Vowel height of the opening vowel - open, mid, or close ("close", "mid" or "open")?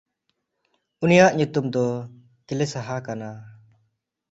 close